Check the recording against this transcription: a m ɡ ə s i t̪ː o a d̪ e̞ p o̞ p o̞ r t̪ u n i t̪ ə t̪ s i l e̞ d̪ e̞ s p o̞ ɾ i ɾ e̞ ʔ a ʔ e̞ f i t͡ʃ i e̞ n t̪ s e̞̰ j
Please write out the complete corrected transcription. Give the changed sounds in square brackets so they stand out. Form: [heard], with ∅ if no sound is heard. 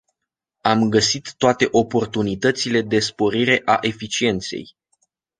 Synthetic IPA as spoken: a m ɡ ə s i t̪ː o a [t̪] e̞ [ʔ] o̞ p o̞ r t̪ u n i t̪ ə t̪ s i l e̞ d̪ e̞ s p o̞ ɾ i ɾ e̞ ʔ a ʔ e̞ f i t͡ʃ i e̞ n t̪ s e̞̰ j